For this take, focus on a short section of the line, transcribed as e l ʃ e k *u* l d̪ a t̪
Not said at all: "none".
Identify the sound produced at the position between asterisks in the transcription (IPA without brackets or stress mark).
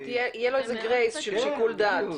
u